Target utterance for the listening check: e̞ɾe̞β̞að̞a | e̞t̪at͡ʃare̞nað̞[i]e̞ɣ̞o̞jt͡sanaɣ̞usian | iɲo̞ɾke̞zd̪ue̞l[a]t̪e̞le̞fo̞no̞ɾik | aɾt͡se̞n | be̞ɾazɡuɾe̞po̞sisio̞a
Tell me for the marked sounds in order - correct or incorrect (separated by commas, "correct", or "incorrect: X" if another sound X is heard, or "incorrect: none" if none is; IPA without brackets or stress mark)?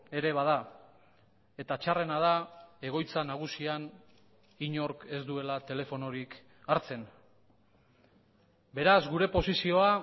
incorrect: a, correct